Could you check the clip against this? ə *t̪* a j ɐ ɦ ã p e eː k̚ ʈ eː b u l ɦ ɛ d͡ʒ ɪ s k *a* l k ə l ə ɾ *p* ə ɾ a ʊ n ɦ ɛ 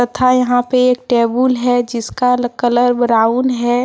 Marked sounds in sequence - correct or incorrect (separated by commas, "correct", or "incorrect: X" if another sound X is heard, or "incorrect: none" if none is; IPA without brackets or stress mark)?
incorrect: t̪ʰ, correct, incorrect: b